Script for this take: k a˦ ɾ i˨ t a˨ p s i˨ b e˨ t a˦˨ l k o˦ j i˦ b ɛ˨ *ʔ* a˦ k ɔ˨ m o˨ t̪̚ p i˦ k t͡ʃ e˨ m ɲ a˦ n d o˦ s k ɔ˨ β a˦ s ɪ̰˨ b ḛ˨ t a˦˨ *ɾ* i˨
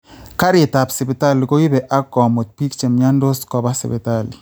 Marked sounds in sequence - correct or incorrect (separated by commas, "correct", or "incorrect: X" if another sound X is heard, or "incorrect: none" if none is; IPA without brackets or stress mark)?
correct, incorrect: l